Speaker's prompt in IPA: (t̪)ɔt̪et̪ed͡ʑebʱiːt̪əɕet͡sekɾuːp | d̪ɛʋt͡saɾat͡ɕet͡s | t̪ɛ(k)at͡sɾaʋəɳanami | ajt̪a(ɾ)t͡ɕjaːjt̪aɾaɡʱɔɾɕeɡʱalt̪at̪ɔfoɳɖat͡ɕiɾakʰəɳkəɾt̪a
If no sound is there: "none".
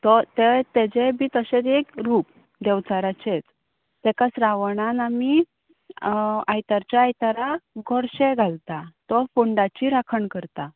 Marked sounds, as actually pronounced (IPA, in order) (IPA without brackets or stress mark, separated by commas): t̪, k, ɾ